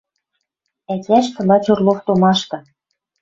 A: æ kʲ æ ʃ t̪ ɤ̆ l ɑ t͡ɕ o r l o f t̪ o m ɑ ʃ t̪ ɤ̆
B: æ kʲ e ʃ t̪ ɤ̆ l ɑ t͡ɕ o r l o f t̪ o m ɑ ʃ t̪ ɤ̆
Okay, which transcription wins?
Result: A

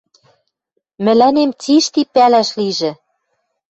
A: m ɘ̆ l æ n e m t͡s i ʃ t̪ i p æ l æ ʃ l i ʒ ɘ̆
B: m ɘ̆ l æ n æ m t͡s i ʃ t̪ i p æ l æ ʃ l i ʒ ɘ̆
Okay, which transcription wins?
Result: A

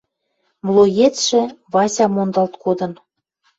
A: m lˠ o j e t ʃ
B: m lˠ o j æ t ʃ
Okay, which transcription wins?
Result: A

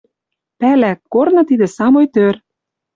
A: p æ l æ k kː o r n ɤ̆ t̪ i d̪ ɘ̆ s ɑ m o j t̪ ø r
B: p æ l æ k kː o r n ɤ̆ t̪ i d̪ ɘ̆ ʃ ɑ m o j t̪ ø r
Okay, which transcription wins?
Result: A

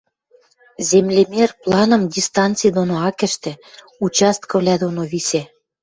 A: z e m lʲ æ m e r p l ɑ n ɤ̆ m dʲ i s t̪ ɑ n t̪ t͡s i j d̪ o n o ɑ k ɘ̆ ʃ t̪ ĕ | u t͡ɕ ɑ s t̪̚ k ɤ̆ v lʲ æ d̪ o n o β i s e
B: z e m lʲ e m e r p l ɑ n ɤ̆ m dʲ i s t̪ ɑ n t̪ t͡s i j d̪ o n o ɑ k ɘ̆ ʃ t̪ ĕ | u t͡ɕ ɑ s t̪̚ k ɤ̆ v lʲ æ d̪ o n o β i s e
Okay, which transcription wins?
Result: B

